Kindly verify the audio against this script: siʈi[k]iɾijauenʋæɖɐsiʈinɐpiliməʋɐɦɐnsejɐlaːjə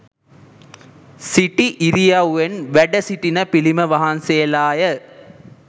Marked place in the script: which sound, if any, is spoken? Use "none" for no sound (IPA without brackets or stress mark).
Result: ʔ